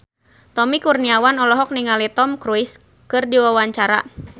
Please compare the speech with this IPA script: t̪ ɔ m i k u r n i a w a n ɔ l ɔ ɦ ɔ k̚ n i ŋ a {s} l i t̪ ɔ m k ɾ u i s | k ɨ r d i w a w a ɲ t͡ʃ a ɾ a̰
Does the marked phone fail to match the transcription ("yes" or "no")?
yes